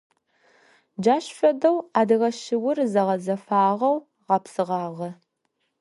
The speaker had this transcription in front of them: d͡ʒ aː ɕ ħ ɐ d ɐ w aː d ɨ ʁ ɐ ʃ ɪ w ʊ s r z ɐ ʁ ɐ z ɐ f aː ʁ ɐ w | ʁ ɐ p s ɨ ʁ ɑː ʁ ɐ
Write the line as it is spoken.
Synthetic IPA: d͡ʒ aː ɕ f ɐ d ɐ w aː d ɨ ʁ ɐ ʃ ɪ w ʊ r z ɐ ʁ ɐ z ɐ f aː ʁ ɐ w | ʁ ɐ p s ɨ ʁ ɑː ʁ ɐ